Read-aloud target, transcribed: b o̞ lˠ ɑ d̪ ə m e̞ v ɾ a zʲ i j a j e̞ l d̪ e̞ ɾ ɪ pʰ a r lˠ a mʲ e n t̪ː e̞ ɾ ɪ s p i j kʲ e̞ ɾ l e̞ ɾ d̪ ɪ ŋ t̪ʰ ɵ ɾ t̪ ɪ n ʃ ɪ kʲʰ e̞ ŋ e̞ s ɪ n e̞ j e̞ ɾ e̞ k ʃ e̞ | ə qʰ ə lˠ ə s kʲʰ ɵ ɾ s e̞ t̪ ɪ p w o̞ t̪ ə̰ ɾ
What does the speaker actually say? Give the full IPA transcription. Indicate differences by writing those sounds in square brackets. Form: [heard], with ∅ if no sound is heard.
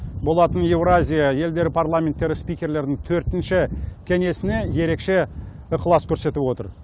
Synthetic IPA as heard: b o̞ lˠ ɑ [t̪] ə [n] e̞ v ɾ a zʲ i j a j e̞ l d̪ e̞ ɾ ɪ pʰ a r lˠ a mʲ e n t̪ː e̞ ɾ ɪ s p i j kʲ e̞ ɾ l e̞ ɾ d̪ ɪ ŋ t̪ʰ ɵ ɾ t̪ ɪ n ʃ ɪ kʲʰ e̞ ŋ e̞ s ɪ n e̞ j e̞ ɾ e̞ k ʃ e̞ | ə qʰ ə lˠ [ɑ] s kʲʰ ɵ ɾ s e̞ t̪ ɪ p w o̞ t̪ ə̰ ɾ